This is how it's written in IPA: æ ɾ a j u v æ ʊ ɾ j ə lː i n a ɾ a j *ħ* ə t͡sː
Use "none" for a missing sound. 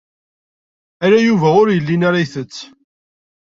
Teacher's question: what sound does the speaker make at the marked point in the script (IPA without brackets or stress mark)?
θ